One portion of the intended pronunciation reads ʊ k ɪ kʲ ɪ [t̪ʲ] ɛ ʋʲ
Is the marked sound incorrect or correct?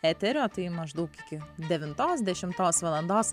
incorrect